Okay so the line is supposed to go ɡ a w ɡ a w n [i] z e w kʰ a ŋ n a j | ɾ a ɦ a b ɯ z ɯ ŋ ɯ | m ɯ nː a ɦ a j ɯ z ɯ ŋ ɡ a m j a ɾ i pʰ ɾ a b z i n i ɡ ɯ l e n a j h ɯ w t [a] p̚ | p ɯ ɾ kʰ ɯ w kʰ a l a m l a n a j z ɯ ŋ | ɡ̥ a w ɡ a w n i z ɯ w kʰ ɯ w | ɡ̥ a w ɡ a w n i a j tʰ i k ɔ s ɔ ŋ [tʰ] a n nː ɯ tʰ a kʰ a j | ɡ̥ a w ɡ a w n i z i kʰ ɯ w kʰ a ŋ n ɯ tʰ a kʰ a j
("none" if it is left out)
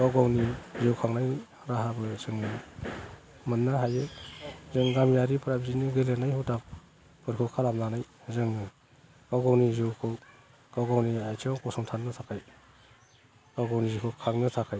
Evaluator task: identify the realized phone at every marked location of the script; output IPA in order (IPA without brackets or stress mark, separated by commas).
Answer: i, a, tʰ